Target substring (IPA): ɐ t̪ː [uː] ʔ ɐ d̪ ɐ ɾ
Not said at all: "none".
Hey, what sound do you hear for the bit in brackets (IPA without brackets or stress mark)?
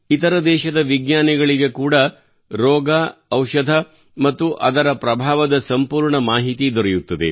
u